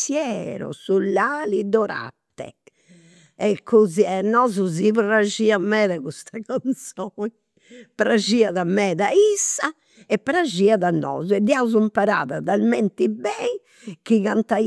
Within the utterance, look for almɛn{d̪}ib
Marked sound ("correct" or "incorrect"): incorrect